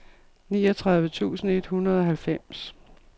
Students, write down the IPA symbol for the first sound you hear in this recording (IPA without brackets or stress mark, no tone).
n